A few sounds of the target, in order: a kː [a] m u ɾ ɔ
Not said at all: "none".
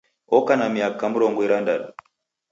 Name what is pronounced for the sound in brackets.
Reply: a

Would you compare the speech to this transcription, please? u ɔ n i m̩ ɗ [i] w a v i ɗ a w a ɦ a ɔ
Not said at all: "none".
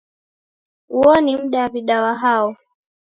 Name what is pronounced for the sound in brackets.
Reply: a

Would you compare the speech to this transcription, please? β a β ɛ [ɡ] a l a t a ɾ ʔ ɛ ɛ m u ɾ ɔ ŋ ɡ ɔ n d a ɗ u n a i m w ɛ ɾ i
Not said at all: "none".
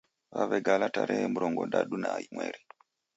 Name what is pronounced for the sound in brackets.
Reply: ɡ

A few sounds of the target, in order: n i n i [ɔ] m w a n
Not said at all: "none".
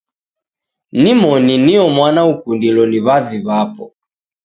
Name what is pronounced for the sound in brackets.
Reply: ɔ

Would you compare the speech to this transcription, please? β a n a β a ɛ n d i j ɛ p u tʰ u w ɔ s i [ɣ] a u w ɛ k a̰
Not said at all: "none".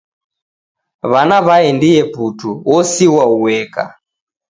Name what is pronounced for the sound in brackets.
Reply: w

